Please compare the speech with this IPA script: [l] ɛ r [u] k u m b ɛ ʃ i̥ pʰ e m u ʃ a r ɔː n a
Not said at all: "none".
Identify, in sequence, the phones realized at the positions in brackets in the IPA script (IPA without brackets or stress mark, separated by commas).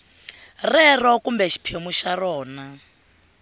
r, ɔ